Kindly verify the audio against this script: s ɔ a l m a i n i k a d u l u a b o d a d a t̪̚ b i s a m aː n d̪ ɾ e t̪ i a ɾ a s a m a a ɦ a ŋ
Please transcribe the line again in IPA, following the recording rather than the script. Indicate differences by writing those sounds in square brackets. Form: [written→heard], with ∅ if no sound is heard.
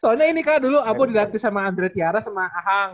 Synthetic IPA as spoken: s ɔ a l [m→ɲ] a i n i k a d u l u a b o d [a→i] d a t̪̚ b i s a m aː n d̪ ɾ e t̪ i a ɾ a s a m a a ɦ a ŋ